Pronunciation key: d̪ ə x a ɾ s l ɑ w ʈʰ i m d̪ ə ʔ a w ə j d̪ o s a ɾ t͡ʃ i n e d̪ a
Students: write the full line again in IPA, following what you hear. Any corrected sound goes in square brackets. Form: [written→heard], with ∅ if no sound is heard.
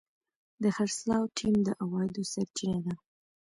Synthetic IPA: d̪ ə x a ɾ s l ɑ w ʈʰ i m d̪ ə ʔ a w [ə→ɑ] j d̪ o s a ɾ t͡ʃ i n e d̪ a

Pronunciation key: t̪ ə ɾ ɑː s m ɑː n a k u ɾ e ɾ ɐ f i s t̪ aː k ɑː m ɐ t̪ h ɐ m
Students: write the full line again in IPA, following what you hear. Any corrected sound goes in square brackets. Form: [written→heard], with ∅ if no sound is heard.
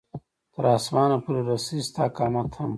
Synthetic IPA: t̪ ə ɾ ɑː s m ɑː n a [k→p] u ɾ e ɾ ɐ [f→s] i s t̪ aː k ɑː m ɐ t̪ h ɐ m

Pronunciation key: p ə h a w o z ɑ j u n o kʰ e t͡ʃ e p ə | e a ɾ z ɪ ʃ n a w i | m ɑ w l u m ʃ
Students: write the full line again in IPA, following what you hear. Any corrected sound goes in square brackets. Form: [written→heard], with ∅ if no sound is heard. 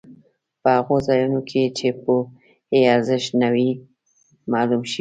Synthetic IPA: p ə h a [w→ɣ] o z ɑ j u n o kʰ e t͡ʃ e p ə | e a ɾ z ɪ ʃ n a w i | m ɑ [w→∅] l u m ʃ

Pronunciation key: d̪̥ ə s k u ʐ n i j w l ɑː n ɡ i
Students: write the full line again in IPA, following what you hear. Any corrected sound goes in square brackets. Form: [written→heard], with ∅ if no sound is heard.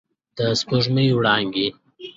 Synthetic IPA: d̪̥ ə s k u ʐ [n→m] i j w [l→ɽ] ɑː [n→ŋ] ɡ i

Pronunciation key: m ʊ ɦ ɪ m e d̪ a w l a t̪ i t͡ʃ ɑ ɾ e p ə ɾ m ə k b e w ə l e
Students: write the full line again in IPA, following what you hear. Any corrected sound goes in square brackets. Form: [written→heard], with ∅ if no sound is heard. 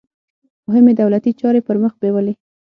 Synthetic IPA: m ʊ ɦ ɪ m e d̪ a w l a t̪ i t͡ʃ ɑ ɾ e p ə ɾ m ə [k→x] b e w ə l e

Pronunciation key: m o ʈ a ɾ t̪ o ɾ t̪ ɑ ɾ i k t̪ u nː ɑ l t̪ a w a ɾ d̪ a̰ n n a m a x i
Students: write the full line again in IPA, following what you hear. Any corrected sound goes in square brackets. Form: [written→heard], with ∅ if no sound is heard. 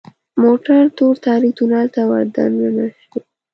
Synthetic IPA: m o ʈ a ɾ t̪ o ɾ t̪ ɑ ɾ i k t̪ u [nː→n] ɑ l t̪ a w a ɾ d̪ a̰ n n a [m→n] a [x→ʃ] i

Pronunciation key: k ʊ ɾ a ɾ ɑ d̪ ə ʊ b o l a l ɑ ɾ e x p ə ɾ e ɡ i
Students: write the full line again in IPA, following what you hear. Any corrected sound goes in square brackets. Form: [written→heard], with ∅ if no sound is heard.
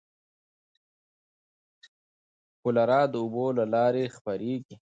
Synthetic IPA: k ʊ [ɾ→l] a ɾ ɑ d̪ ə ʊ b o l a l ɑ ɾ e x p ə ɾ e ɡ i

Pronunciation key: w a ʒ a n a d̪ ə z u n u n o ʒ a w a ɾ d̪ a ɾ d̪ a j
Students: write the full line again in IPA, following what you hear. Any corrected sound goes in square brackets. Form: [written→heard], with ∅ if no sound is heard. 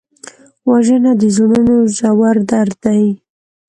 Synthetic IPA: w a ʒ [a→ə] n a d̪ ə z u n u n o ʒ a w a ɾ d̪ a ɾ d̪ a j

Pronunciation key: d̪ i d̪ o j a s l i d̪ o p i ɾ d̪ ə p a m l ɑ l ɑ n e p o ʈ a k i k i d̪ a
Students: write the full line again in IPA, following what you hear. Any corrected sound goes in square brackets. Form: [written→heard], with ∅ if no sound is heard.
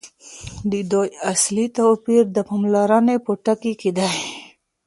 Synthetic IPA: d̪ i d̪ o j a s l i [d̪→t̪] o p i ɾ d̪ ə p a m l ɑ [l→ɾ] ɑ n e p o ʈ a k i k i d̪ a

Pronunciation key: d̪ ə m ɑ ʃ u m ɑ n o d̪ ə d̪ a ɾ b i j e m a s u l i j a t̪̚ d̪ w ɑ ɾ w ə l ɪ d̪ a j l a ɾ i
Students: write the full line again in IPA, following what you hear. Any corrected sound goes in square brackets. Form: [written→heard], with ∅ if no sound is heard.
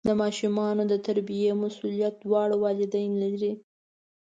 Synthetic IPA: d̪ ə m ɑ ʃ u m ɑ n o d̪ ə [d̪→t̪] a ɾ b i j e m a s u l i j a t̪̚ d̪ w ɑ [ɾ→ɽ] w [ə→ɑ] l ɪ d̪ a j l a ɾ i

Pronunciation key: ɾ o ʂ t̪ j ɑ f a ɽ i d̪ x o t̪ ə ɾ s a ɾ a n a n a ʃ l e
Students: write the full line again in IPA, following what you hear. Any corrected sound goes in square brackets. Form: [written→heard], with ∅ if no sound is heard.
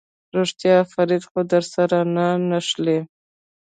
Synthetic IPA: ɾ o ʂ t̪ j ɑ f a [ɽ→ɾ] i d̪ x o [t̪→d̪] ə ɾ s a ɾ a n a n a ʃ l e

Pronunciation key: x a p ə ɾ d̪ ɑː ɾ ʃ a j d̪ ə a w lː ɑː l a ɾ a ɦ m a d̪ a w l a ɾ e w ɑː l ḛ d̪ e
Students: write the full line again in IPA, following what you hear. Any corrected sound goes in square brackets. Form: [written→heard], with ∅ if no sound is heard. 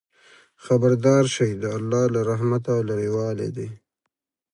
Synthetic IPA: x a [p→b] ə ɾ d̪ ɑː ɾ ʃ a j d̪ ə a [w→∅] lː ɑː l a ɾ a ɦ m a [d̪→t̪] a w l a ɾ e w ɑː l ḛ d̪ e

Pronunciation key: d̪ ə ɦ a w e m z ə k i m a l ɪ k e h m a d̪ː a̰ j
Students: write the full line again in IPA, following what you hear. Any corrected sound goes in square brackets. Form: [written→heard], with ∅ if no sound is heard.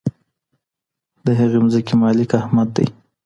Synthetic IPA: d̪ ə ɦ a [w→ɣ] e m z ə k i m [a→ɑ] l ɪ k [e→a] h m a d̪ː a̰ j

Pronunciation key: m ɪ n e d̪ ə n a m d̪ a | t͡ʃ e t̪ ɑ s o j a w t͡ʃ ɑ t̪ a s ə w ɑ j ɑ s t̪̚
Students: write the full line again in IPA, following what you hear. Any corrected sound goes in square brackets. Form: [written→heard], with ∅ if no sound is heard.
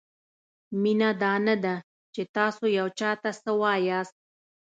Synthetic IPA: m [ɪ→i] n [e→a] d̪ [ə→ɑ] n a [m→∅] d̪ a | t͡ʃ e t̪ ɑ s o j a w t͡ʃ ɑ t̪ a s ə w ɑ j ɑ s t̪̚

